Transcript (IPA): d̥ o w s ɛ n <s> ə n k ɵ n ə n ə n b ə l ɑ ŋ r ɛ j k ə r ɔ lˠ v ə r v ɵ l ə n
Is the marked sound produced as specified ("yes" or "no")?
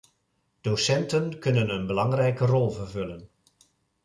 no